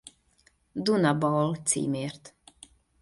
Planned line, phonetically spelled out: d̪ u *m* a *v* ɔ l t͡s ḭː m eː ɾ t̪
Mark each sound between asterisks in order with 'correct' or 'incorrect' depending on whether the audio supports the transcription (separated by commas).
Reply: incorrect, incorrect